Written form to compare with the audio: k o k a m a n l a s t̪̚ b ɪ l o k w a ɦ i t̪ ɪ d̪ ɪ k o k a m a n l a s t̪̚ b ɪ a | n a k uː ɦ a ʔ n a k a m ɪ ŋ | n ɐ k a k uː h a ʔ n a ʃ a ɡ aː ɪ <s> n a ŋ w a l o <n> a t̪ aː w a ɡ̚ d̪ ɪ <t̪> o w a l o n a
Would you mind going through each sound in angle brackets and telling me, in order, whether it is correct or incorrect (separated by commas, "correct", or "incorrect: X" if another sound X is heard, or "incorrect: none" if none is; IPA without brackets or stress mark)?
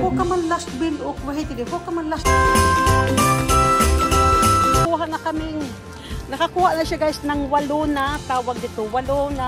correct, correct, correct